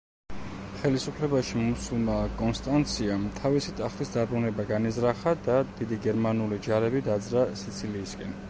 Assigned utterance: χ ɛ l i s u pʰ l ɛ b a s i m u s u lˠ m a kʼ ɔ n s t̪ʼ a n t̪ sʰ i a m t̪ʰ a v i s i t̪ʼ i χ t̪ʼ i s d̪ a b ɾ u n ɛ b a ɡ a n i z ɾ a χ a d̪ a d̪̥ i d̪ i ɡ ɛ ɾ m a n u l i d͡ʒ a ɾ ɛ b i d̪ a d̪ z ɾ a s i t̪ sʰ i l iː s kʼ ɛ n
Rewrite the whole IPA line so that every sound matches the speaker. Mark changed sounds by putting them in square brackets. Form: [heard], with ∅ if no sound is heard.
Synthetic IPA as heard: χ ɛ l i s u pʰ l ɛ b a [ʃ] i m u s u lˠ m a kʼ ɔ n s t̪ʼ a n t̪ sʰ i a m t̪ʰ a v i s i t̪ʼ [a] χ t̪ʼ i s d̪ a b ɾ u n ɛ b a ɡ a n i z ɾ a χ a d̪ a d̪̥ i d̪ i ɡ ɛ ɾ m a n u l i d͡ʒ a ɾ ɛ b i d̪ a d̪ z ɾ a s i t̪ sʰ i l iː s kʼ ɛ n